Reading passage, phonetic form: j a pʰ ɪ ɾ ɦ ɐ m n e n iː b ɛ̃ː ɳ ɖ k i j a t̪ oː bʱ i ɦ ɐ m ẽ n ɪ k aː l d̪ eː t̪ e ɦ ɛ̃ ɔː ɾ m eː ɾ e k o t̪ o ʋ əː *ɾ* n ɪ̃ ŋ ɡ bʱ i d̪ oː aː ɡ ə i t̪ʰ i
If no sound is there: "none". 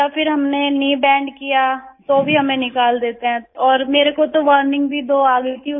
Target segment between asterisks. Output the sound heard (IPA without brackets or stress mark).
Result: ɾ